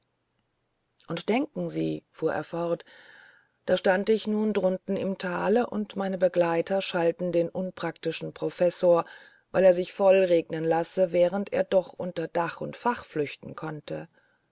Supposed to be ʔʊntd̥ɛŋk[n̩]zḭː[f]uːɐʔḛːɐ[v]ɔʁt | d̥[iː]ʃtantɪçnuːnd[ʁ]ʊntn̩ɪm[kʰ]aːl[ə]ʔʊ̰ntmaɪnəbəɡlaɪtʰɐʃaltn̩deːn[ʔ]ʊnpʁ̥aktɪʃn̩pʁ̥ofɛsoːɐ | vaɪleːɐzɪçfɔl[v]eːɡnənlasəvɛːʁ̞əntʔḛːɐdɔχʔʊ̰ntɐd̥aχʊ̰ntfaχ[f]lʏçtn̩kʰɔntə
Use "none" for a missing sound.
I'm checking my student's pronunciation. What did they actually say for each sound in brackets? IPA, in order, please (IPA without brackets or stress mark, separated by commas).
ŋ̩, f, f, aː, ʁ, tʰ, ə, ʔ, ʁ, f